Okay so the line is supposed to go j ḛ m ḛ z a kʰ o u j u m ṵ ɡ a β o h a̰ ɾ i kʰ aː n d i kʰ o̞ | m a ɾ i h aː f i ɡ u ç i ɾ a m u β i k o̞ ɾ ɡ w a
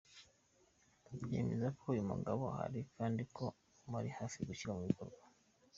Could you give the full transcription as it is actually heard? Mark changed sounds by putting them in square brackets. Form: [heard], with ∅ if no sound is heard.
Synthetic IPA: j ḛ m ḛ z a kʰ o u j u m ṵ ɡ a β o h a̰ ɾ i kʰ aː n d i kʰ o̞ | m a ɾ i h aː f i ɡ u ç i ɾ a m u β i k o̞ ɾ ɡ w a

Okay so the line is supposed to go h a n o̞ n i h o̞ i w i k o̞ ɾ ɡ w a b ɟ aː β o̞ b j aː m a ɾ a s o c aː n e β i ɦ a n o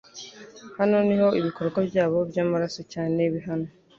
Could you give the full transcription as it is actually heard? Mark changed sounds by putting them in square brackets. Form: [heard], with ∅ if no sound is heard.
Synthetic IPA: h a n o̞ n i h o̞ i [β] i k o̞ ɾ ɡ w a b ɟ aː β o̞ b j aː m a ɾ a s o c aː n e β i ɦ a n o

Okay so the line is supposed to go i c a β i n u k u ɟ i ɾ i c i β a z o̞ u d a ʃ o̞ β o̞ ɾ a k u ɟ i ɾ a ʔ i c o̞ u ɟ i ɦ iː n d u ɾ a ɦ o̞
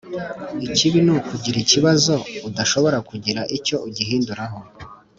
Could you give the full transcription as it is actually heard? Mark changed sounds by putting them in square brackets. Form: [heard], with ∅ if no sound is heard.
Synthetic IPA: i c [i] β i n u k u ɟ i ɾ i c i β a z o̞ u d a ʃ o̞ β o̞ ɾ a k u ɟ i ɾ a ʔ i c o̞ u ɟ i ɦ iː n d u ɾ a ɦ o̞

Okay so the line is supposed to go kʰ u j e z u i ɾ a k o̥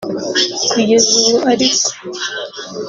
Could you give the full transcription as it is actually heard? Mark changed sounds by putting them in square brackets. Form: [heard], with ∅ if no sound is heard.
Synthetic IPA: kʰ u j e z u [a] ɾ [i] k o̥

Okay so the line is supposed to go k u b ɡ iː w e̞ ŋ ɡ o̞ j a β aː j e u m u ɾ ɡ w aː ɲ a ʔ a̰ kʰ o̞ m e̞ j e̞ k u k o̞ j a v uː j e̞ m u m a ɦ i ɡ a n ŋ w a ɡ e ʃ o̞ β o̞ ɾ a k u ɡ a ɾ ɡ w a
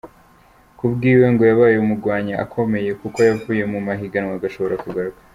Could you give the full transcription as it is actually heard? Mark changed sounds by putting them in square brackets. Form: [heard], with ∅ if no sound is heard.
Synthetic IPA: k u b ɡ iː w e̞ ŋ ɡ o̞ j a β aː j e u m u ɾ ɡ w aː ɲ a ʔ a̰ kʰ o̞ m e̞ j e̞ k u k o̞ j a v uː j e̞ m u m a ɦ i ɡ a n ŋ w a ɡ [a] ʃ o̞ β o̞ ɾ a k u ɡ a ɾ ɡ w a

